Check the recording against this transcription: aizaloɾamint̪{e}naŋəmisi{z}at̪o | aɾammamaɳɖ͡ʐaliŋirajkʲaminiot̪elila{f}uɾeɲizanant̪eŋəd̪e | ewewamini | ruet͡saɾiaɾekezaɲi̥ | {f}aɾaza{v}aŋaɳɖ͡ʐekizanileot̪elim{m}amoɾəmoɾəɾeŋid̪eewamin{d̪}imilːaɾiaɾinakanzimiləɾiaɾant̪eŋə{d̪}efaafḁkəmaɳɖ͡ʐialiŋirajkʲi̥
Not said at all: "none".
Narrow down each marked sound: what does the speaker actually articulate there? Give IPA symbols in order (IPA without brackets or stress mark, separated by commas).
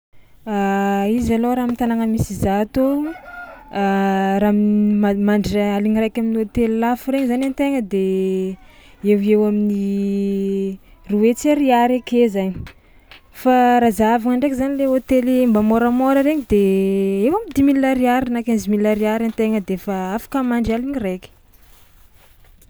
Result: a, z, f, f, v, b, d̪, d̪